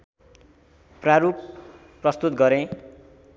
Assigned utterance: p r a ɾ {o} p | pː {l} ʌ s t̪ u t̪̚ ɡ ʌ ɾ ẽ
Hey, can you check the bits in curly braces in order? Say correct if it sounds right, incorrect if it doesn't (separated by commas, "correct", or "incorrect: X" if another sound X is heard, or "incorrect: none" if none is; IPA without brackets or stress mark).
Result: incorrect: u, incorrect: r